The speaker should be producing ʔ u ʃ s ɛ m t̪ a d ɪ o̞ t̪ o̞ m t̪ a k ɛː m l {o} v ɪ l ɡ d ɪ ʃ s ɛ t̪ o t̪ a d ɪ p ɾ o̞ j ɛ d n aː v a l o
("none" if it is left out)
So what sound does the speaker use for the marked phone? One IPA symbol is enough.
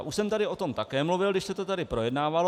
u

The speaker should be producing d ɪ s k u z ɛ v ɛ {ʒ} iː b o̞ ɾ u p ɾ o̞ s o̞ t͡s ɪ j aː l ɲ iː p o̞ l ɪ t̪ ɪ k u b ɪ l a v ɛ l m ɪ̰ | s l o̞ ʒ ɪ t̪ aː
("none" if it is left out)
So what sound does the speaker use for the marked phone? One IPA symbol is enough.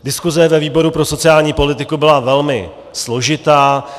v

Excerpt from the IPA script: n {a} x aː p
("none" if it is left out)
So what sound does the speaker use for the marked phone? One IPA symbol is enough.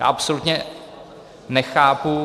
ɛ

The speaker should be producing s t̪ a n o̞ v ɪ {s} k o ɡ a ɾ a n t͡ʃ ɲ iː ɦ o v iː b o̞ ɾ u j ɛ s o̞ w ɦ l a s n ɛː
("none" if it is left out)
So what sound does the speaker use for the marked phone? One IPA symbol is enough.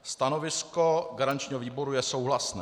s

